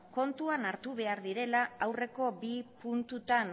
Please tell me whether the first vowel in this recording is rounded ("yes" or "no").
yes